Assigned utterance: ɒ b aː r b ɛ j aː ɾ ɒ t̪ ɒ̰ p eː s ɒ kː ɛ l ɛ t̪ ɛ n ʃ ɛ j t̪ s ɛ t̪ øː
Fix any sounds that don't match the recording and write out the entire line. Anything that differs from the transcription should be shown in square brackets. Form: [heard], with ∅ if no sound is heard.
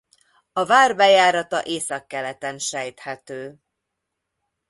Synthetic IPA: ɒ [v] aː r b ɛ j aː ɾ ɒ t̪ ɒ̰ [ʔ] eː s ɒ kː ɛ l ɛ t̪ ɛ n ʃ ɛ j t̪ [h] ɛ t̪ øː